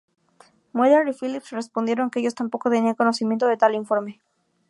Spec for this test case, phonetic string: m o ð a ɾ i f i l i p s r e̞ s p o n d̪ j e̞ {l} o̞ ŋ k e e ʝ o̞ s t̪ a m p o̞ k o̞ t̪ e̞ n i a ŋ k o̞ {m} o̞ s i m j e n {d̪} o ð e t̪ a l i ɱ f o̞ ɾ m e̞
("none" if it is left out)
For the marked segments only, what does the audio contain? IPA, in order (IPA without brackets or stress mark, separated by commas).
ɾ, n, t̪